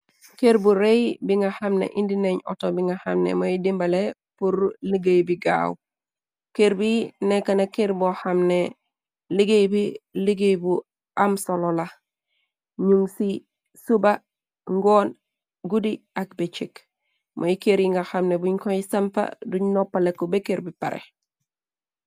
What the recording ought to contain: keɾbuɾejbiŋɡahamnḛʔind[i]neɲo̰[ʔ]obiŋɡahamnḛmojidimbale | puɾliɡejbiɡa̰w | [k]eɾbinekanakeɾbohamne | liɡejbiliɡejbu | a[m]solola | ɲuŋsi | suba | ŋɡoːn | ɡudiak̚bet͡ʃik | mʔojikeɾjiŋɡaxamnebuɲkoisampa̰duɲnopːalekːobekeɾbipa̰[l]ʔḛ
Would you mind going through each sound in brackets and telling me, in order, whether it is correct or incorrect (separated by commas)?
correct, incorrect, correct, correct, incorrect